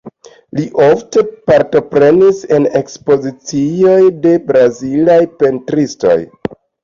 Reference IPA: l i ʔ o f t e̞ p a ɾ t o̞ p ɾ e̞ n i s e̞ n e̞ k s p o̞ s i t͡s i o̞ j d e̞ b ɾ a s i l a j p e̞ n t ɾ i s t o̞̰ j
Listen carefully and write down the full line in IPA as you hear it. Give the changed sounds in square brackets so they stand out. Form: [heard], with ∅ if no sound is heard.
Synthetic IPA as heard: l i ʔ o f t e̞ p a ɾ t o̞ p ɾ e̞ n i s e̞ n e̞ k s p o̞ [z] i t͡s i o̞ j d e̞ b ɾ a [z] i l a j p e̞ n t ɾ i s t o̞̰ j